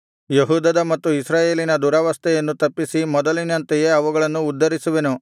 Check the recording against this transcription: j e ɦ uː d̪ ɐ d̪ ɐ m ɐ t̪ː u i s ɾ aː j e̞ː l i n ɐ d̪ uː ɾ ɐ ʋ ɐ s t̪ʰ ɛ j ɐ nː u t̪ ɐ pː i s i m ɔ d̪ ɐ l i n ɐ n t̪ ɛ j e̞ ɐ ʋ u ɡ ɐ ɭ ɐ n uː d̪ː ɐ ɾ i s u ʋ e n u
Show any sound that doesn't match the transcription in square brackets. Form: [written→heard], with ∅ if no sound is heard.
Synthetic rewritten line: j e ɦ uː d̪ ɐ d̪ ɐ m ɐ t̪ː u i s ɾ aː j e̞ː l i n ɐ d̪ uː ɾ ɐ ʋ ɐ s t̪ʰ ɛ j ɐ nː u t̪ ɐ pː i s i m ɔ d̪ ɐ l i n ɐ n t̪ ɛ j e̞ ɐ ʋ u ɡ ɐ ɭ ɐ [n→nː] uː d̪ː ɐ ɾ i s u ʋ e n u